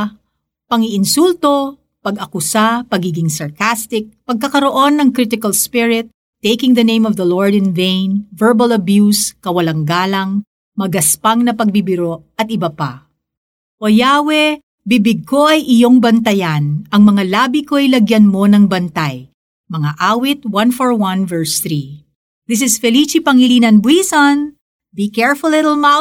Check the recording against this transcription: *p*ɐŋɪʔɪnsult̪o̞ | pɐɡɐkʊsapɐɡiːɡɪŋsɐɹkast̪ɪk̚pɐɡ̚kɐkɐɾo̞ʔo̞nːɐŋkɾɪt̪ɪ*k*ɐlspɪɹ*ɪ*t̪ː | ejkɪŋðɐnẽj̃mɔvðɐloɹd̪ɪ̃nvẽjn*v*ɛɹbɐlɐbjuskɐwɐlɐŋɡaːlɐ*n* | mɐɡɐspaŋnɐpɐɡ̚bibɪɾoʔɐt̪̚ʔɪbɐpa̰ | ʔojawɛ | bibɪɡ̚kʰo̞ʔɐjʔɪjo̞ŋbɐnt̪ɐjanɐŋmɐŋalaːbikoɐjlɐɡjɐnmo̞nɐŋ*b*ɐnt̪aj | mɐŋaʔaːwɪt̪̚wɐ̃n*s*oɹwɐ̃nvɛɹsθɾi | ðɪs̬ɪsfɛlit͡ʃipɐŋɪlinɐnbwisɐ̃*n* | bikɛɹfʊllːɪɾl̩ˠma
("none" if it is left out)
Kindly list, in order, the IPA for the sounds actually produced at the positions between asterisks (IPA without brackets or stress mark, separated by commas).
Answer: p, k, ɪ, v, ŋ, b, f, n